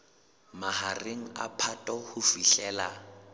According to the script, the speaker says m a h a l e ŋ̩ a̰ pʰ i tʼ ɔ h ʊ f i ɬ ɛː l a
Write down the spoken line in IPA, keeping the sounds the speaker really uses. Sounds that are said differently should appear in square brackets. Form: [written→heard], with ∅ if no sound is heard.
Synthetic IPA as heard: m a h a [l→r] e ŋ̩ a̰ pʰ [i→a] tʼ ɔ h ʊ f i ɬ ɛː l a